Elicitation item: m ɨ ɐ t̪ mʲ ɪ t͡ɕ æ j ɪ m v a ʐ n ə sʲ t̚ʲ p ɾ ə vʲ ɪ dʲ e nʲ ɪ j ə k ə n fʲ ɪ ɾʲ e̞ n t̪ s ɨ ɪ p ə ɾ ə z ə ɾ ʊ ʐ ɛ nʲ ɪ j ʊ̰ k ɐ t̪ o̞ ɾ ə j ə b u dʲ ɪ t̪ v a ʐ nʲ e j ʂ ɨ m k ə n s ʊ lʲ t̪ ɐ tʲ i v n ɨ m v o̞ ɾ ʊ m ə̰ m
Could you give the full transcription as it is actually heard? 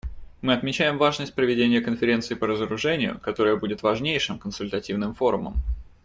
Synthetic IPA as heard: m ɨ ɐ t̪ mʲ ɪ t͡ɕ æ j ɪ m v a ʐ n ə sʲ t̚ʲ p ɾ ə vʲ ɪ dʲ e nʲ ɪ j ə k ə n fʲ ɪ ɾʲ e̞ n t̪ s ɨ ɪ p ə ɾ ə z ə ɾ ʊ ʐ ɛ nʲ ɪ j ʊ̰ k ɐ t̪ o̞ ɾ ə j ə b u dʲ ɪ t̪ v ɐ ʐ nʲ e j ʂ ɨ m k ə n s ʊ lʲ t̪ ɐ tʲ i v n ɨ m f o̞ ɾ ʊ m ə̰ m